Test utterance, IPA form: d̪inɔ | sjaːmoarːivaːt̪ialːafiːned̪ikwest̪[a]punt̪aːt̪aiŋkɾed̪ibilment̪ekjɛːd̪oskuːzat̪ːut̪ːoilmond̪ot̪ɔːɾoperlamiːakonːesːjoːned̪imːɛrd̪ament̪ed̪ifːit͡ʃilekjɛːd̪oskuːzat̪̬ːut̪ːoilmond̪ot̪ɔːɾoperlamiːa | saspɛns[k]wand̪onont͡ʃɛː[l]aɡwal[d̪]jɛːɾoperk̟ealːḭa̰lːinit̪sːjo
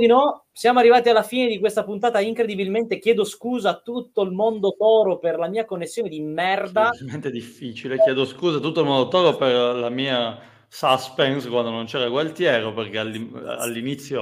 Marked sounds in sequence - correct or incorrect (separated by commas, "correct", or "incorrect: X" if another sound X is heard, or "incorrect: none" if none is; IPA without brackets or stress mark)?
correct, correct, incorrect: ɾ, incorrect: t̪